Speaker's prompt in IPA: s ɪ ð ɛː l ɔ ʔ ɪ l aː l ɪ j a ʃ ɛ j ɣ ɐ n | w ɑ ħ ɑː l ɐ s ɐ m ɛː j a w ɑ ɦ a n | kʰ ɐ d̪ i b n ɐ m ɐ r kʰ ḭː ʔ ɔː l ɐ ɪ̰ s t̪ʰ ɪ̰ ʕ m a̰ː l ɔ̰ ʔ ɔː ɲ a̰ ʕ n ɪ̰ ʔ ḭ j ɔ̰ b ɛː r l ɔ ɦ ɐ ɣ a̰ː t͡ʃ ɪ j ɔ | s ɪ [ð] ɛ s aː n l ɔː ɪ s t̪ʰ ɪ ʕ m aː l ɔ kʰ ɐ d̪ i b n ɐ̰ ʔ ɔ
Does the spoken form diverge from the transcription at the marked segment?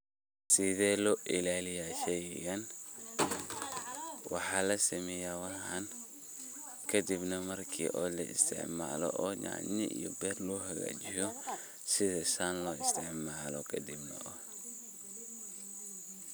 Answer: no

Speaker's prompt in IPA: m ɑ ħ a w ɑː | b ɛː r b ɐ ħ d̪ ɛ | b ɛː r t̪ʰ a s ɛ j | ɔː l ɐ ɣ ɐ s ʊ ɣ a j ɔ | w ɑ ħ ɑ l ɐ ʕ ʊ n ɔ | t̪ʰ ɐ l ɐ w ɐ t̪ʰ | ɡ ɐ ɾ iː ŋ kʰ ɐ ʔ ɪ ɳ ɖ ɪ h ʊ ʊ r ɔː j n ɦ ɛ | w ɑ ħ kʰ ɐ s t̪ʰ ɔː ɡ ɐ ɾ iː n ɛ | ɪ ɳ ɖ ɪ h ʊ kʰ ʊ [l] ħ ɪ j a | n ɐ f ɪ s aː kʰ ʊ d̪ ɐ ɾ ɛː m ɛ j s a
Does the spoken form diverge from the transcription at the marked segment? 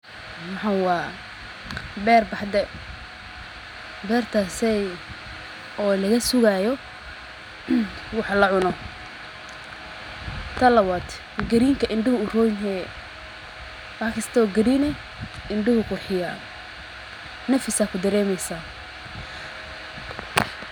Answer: yes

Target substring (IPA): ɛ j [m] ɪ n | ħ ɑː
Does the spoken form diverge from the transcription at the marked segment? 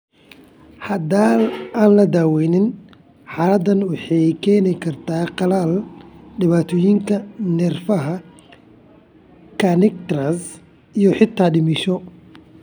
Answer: yes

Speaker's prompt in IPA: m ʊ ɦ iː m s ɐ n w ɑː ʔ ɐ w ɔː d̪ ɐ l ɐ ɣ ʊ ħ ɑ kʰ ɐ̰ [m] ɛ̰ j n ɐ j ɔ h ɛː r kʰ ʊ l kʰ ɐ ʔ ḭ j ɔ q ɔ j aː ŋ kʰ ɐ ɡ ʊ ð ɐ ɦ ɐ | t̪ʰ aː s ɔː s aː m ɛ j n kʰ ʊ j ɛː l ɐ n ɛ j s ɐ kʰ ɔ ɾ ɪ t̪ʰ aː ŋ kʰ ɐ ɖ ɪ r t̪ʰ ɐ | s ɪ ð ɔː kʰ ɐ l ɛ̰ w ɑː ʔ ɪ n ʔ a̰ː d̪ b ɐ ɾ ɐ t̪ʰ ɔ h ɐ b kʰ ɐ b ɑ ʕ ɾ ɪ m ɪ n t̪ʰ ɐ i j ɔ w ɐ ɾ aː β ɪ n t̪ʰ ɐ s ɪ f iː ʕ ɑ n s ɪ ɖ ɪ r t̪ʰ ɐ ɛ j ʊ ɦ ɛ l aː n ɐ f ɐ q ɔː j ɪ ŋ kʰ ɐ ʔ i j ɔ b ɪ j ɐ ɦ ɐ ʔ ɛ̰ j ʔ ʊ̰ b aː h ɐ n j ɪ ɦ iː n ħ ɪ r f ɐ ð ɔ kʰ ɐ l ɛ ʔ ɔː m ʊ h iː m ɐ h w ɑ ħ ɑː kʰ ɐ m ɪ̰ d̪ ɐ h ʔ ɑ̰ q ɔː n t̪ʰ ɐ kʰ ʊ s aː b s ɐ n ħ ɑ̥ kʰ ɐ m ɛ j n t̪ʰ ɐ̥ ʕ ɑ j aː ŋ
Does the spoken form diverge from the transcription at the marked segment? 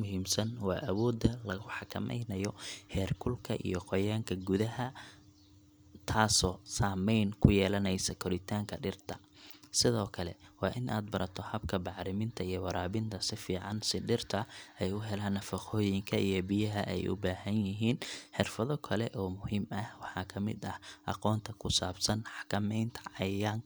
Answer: no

